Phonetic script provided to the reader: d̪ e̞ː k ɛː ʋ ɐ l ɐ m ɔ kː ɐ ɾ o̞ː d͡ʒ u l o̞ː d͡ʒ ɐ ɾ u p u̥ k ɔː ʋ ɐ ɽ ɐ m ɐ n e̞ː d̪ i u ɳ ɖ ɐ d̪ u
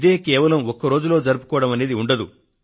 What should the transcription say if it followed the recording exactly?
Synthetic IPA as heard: d̪ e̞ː k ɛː ʋ ɐ l ɐ m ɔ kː ɐ ɾ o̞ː d͡ʒ u l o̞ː d͡ʒ ɐ ɾ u p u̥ k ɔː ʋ ɐ ɽ ɐ m ɐ n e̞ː d̪ i u ɳ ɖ ɐ d̪ u